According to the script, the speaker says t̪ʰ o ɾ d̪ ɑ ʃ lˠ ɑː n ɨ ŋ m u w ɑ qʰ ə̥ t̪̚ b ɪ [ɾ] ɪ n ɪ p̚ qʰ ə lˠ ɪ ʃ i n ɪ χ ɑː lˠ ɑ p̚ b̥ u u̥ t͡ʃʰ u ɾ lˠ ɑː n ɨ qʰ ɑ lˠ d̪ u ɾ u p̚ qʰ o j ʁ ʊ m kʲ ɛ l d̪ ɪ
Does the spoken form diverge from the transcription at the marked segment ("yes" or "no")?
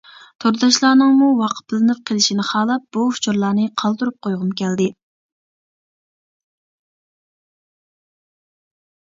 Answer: yes